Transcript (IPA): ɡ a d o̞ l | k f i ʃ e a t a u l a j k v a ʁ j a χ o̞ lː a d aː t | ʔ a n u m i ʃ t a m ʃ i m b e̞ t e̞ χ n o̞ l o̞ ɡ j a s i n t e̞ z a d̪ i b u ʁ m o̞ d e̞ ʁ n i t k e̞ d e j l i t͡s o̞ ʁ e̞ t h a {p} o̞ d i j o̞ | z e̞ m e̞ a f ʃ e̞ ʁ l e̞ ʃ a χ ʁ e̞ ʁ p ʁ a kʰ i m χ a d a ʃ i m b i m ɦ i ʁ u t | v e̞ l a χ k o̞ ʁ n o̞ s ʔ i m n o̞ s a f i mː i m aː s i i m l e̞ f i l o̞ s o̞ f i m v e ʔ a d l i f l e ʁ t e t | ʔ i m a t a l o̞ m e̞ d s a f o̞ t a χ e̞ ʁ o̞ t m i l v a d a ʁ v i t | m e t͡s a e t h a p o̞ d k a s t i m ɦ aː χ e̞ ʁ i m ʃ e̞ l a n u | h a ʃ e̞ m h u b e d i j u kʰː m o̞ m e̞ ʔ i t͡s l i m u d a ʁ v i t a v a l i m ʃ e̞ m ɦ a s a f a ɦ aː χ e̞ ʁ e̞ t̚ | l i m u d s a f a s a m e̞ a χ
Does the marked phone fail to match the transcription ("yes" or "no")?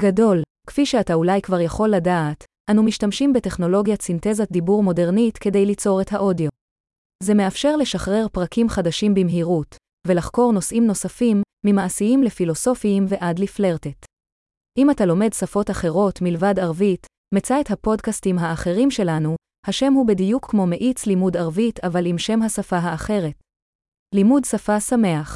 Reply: yes